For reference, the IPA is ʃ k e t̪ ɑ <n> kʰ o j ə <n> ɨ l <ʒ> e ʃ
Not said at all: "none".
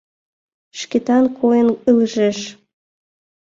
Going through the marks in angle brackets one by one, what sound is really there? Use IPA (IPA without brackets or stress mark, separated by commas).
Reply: n, n, ʒ